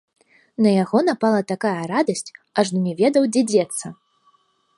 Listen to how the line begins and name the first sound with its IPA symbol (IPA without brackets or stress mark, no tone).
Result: n